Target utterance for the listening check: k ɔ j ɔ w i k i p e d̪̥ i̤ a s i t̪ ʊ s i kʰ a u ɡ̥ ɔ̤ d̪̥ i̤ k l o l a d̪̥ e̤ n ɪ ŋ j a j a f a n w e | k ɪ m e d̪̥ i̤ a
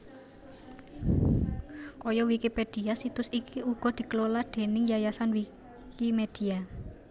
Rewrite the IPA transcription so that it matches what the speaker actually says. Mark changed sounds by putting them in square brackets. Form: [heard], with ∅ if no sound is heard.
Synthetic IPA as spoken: k ɔ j ɔ w i k i p e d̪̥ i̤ a s i t̪ ʊ s i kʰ [i] u ɡ̥ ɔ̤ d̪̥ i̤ k l o l a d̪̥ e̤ n ɪ ŋ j a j a [s] a n w [i] | k [i] m e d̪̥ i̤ a